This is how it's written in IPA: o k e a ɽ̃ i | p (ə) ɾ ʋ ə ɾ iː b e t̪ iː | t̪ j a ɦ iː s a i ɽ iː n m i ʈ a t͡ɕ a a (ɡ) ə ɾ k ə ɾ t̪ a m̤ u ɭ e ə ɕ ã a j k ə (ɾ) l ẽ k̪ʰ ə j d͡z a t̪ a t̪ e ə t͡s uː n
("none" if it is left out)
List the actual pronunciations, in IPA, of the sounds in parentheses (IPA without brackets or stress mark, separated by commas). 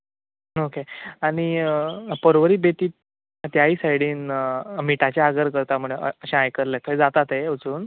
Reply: ə, ɡ, ɾ